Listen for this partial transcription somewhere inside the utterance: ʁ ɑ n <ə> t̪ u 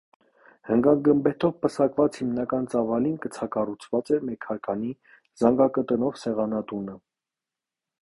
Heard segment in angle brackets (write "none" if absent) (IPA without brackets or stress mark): ɑ